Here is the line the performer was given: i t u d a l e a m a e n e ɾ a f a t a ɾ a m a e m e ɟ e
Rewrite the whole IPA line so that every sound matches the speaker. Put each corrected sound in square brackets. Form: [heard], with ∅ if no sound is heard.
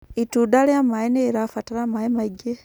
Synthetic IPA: i t u d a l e a m a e n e ɾ a f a t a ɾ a m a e m [a] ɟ e